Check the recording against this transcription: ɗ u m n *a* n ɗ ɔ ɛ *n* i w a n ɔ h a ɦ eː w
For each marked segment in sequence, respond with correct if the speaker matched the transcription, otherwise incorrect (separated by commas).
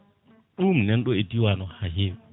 incorrect, incorrect